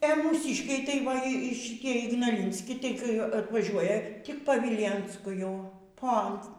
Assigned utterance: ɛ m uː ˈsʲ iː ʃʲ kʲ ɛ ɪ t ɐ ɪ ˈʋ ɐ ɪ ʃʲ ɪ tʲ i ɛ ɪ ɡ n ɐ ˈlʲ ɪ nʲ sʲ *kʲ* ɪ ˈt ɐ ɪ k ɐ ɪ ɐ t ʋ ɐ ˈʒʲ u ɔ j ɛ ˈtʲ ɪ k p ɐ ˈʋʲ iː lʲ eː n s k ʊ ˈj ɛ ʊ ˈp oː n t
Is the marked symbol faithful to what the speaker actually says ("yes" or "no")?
yes